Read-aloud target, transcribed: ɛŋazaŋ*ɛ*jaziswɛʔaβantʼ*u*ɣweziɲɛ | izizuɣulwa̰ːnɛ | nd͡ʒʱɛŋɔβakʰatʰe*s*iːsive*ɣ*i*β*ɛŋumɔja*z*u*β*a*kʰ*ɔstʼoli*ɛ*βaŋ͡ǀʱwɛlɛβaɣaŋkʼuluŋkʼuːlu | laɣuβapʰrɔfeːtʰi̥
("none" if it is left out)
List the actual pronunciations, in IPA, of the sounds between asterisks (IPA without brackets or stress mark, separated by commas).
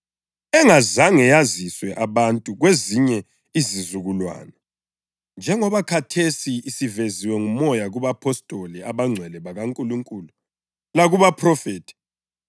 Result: ɛ, u, s, z, w, ɣ, β, pʰ, a